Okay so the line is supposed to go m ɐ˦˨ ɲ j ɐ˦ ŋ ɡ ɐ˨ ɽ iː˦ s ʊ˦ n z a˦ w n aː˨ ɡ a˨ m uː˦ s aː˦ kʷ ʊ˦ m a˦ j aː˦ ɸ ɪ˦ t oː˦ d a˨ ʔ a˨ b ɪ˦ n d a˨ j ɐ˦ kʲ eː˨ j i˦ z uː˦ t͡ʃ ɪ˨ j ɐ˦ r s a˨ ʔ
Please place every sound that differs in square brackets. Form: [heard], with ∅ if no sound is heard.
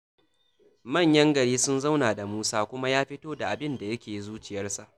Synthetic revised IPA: m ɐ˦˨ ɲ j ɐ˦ ŋ ɡ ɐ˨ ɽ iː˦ s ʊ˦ n z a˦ w n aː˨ [d] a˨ m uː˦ s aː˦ kʷ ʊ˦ m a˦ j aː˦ ɸ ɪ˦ t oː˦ d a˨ ʔ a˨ b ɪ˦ n d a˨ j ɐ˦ kʲ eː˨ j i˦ z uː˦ t͡ʃ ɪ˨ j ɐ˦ r s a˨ ʔ